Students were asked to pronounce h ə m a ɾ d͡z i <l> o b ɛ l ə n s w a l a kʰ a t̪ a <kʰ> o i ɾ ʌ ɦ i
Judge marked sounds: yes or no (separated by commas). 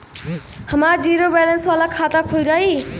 no, yes